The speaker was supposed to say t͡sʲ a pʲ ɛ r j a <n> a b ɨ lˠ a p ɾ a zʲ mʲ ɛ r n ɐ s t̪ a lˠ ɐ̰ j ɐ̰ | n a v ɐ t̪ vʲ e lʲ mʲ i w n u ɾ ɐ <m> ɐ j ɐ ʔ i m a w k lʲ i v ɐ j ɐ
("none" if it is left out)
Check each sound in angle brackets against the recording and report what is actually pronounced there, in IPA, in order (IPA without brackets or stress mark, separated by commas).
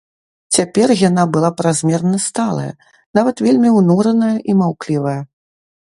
n, n